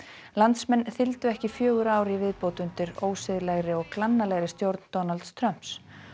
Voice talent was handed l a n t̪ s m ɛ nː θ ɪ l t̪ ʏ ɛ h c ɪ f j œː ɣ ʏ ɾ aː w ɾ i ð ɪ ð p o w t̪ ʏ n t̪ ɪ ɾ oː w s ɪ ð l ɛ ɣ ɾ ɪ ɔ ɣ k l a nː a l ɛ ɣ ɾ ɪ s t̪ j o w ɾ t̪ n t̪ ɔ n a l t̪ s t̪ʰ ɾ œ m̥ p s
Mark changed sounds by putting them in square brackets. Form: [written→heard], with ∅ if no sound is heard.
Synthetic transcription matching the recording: l a n t̪ s m ɛ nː θ ɪ l t̪ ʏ ɛ h c ɪ f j œː ɣ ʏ ɾ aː w ɾ i [ð→v] ɪ ð p o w t̪ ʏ n t̪ ɪ ɾ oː w s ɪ ð l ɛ ɣ ɾ ɪ ɔ ɣ k l a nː a l ɛ ɣ ɾ ɪ s t̪ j o w ɾ t̪ n t̪ ɔ n a l t̪ s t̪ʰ ɾ œ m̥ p s